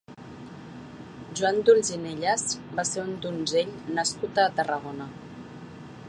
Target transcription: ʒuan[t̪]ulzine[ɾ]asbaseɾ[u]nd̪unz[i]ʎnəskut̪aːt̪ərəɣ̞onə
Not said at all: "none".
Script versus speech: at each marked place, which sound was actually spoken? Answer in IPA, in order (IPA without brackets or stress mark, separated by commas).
d̪, ʎ, u, e